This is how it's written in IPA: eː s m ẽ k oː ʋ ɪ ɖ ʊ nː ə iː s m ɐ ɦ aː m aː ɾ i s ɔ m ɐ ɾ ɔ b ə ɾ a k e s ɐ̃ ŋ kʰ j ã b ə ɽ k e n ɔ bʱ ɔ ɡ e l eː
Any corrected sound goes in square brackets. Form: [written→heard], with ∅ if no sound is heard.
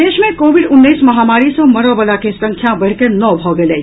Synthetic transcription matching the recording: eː [s→ʃ] m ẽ k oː ʋ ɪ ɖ ʊ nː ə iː s m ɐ ɦ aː m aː ɾ i s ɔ m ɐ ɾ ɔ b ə [ɾ→l] a k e s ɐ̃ ŋ kʰ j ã b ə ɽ k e n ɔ bʱ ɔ ɡ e l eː